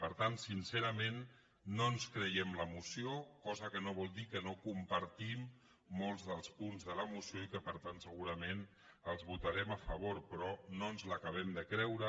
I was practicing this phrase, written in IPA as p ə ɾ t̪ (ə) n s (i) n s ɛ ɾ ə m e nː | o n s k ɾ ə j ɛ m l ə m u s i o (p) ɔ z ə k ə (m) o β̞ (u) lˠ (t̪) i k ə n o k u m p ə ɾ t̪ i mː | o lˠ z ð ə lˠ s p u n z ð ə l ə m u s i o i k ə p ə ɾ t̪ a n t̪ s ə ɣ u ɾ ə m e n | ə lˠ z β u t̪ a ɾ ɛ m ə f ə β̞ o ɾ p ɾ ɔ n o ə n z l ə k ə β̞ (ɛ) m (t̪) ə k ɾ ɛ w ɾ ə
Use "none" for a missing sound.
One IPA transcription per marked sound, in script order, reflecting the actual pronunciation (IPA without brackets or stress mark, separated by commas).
a, i, k, n, ɔ, d̪, ɛ, d̪